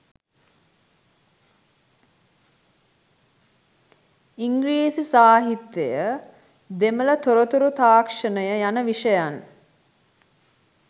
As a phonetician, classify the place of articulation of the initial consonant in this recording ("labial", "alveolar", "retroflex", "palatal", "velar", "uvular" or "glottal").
velar